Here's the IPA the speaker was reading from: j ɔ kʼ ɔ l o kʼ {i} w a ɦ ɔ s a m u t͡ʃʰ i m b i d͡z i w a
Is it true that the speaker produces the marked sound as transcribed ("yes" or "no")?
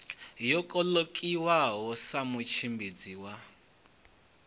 yes